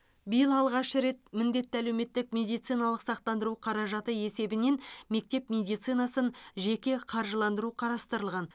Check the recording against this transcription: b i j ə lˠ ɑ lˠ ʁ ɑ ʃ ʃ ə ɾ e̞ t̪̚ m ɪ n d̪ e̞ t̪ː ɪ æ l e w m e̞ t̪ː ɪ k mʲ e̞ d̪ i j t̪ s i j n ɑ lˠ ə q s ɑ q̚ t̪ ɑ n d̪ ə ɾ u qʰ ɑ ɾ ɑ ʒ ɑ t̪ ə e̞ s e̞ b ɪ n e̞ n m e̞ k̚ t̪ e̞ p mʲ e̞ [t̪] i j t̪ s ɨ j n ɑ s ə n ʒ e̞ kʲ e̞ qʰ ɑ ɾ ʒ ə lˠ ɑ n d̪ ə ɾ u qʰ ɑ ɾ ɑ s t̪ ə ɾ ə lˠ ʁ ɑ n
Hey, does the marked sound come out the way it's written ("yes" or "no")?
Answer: no